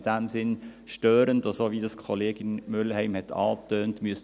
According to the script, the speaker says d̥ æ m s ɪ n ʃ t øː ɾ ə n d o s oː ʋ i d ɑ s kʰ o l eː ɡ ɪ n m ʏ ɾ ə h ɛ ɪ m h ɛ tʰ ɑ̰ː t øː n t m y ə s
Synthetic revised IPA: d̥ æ m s ɪ n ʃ t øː ɾ ə n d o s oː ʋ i d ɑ s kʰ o l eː ɡ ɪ n m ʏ l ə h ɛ ɪ m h ɛ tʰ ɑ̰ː t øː n t m y ə s